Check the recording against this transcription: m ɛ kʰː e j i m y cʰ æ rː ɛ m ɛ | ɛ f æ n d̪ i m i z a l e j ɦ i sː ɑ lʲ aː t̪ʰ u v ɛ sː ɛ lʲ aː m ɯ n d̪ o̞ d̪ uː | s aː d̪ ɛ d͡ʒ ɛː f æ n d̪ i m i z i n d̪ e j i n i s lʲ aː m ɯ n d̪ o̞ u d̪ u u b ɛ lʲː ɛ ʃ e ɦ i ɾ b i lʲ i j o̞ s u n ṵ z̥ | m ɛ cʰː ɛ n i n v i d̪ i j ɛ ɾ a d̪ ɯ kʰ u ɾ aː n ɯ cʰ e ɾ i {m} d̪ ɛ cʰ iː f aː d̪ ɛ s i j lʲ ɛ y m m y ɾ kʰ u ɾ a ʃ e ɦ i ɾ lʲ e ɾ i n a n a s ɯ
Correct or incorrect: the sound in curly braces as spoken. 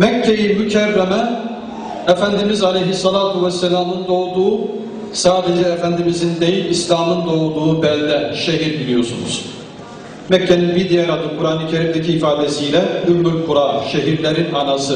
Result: correct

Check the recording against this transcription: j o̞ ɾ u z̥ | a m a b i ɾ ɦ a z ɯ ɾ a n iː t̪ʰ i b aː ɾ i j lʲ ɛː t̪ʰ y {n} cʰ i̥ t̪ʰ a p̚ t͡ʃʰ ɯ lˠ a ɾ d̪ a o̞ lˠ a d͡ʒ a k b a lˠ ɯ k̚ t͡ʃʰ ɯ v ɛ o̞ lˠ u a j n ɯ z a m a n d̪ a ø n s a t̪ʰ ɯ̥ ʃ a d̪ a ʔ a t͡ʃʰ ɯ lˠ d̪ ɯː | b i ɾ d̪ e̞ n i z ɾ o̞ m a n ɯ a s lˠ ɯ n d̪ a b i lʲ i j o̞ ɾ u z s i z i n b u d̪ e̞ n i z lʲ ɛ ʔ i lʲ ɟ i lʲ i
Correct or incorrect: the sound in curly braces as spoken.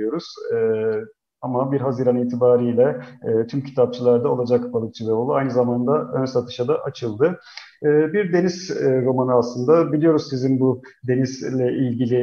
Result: incorrect: m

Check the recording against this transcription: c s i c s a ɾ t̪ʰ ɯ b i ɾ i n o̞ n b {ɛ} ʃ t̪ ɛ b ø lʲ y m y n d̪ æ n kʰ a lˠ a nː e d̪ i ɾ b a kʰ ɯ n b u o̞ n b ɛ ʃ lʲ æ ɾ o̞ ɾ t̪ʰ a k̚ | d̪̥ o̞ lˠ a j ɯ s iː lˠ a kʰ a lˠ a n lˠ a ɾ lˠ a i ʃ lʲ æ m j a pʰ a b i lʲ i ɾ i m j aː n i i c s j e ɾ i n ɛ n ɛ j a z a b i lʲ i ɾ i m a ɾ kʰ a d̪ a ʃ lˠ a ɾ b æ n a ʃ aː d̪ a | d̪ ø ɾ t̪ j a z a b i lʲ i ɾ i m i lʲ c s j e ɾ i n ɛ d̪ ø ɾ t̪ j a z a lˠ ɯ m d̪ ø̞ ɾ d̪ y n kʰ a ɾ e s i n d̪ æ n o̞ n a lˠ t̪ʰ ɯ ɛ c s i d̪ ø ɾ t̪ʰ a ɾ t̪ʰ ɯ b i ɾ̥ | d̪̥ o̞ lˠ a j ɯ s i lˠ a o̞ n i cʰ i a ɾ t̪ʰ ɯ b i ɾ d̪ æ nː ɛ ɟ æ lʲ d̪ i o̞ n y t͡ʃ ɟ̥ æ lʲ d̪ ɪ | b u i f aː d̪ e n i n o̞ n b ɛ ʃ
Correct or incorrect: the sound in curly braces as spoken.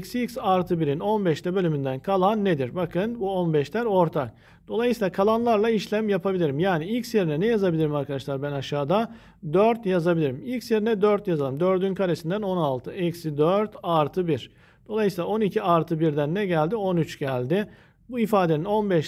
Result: correct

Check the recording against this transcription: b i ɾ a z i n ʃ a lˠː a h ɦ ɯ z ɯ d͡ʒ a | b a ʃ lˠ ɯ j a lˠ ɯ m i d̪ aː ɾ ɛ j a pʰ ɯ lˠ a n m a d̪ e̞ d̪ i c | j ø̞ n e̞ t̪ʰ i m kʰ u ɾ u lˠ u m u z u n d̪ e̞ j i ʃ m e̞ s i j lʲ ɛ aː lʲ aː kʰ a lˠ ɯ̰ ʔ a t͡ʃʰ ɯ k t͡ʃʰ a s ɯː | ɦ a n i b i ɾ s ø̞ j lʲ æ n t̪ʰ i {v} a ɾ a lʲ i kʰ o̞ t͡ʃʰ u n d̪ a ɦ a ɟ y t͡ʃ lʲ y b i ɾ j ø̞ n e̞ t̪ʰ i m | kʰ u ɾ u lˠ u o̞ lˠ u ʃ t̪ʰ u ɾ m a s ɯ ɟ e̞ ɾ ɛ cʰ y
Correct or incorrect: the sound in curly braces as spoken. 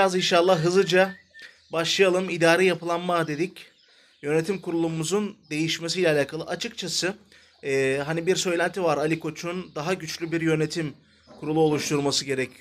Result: correct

